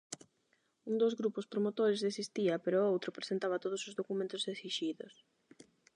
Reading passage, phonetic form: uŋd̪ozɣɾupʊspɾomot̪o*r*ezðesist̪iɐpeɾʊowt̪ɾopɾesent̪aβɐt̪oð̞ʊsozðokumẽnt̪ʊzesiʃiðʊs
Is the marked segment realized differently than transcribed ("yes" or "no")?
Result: yes